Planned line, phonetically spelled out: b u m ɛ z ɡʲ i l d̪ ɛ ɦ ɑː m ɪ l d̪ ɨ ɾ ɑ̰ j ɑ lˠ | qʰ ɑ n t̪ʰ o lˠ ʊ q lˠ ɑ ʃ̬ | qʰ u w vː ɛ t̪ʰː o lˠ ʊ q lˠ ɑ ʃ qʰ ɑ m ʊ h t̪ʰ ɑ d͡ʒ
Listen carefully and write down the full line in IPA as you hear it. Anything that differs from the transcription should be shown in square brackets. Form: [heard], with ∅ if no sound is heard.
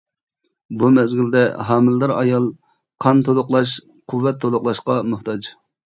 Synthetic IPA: b u m ɛ z ɡʲ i l d̪ ɛ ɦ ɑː m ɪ l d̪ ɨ ɾ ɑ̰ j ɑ lˠ | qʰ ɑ n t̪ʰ o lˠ ʊ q lˠ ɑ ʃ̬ | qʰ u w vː ɛ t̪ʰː o lˠ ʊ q lˠ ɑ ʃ [q] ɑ m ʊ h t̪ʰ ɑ d͡ʒ